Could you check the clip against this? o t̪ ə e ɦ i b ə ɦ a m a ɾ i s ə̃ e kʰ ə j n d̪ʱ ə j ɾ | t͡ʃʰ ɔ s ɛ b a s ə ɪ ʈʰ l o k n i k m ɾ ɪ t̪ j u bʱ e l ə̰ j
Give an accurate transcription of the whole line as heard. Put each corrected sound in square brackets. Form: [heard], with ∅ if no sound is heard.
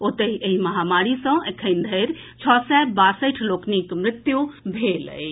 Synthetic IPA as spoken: o t̪ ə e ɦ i [m] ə ɦ a m a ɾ i s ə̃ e kʰ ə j n d̪ʱ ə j ɾ | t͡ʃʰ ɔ s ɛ b a s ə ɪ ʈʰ l o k n i k m ɾ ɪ t̪ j u bʱ e l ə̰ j